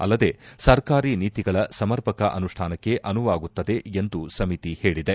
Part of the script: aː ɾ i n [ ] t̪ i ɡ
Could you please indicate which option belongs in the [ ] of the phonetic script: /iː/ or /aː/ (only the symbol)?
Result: iː